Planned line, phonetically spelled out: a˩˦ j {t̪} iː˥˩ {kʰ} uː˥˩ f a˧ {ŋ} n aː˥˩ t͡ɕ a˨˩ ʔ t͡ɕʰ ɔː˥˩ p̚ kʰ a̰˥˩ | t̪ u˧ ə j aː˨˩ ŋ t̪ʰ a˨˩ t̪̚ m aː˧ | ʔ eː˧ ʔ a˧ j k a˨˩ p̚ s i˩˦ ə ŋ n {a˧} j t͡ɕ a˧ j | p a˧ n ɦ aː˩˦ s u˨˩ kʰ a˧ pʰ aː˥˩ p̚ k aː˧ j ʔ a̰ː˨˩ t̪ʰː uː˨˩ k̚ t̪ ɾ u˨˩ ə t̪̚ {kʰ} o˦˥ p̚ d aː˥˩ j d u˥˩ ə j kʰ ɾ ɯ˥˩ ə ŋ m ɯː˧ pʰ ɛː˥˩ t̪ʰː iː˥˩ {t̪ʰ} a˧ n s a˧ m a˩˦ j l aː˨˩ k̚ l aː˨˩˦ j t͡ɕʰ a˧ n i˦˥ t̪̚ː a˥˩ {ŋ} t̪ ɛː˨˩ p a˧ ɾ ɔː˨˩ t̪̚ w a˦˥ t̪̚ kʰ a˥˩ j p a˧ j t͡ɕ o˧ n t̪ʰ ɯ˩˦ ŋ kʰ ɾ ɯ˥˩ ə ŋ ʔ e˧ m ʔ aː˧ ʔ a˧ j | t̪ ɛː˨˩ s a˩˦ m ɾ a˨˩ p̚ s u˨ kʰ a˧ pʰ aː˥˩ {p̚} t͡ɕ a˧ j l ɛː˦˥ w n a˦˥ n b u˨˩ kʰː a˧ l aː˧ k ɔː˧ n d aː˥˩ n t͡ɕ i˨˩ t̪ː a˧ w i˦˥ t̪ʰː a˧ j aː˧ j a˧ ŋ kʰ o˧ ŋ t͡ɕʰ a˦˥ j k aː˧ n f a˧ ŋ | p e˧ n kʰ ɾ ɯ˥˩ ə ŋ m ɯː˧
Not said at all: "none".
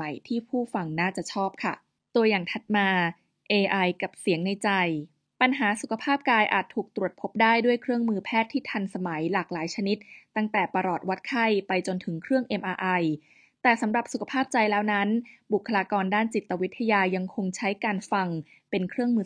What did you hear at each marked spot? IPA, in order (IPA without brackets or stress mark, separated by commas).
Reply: t̪ʰ, pʰ, ŋ, a˧, pʰ, t̪ʰ, ŋ, p̚